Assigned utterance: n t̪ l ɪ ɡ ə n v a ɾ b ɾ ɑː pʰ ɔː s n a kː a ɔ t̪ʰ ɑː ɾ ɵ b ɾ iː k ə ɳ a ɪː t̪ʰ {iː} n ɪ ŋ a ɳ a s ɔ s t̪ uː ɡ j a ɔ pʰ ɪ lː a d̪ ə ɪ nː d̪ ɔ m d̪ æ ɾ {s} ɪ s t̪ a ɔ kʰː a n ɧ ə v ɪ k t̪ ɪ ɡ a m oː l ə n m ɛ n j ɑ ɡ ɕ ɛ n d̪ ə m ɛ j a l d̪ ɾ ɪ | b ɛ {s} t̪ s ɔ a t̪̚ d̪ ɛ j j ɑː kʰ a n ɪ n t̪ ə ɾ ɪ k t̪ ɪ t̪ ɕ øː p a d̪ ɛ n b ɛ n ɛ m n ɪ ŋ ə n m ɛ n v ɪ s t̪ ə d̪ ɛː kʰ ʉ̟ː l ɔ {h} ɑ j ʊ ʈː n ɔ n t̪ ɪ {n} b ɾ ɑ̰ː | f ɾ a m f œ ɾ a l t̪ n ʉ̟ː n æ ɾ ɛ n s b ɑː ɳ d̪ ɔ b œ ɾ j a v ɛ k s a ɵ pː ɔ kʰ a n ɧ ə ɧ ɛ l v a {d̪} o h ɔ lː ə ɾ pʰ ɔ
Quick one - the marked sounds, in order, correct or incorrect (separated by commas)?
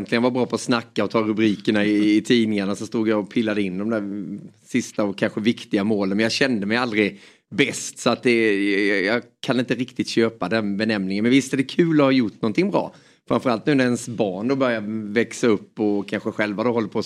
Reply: correct, correct, correct, correct, incorrect, correct